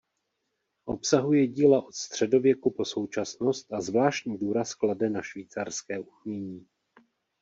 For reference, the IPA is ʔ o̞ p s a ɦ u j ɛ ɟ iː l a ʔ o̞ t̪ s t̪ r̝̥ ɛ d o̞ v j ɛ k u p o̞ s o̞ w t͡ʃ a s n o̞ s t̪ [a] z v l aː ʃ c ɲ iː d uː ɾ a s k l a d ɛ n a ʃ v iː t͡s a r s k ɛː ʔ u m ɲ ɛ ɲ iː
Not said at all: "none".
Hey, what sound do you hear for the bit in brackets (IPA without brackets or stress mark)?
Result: a